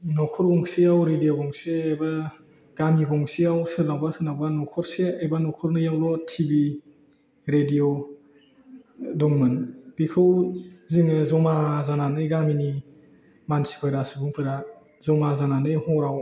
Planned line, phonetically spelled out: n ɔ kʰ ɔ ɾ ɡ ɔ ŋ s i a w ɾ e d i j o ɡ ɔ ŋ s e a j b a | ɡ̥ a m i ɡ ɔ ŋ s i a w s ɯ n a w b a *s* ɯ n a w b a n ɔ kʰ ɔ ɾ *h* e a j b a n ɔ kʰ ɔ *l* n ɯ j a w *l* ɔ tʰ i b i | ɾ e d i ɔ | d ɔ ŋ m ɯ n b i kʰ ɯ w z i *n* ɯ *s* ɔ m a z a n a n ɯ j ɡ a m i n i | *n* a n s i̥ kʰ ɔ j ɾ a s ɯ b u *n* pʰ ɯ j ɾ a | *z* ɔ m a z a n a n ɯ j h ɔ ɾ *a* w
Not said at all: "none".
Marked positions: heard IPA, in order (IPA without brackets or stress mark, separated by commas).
s, s, ɾ, l, ŋ, z, m, ŋ, z, a